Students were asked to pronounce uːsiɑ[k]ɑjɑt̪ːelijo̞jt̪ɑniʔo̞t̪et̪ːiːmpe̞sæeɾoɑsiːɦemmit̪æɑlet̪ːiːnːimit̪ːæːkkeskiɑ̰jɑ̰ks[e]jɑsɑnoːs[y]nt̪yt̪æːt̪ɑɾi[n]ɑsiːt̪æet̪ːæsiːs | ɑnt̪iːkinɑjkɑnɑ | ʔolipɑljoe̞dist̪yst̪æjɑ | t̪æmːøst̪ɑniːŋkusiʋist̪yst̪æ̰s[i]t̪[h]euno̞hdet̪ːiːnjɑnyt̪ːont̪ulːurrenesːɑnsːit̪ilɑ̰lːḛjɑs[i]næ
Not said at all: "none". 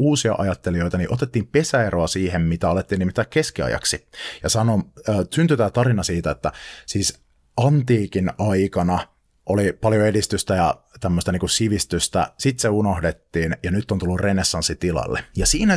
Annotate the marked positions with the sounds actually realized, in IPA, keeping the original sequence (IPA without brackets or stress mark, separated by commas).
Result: ʔ, i, y, n, i, s, iː